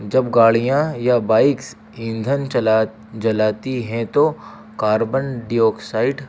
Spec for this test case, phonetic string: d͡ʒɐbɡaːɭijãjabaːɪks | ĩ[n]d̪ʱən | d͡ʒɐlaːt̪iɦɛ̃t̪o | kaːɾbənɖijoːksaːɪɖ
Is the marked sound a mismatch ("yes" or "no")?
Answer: no